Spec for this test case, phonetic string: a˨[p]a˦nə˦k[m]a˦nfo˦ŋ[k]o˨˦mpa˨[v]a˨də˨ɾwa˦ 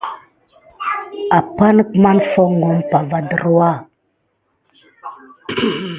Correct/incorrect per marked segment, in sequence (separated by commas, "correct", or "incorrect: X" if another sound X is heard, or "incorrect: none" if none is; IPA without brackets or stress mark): correct, correct, incorrect: ɡ, correct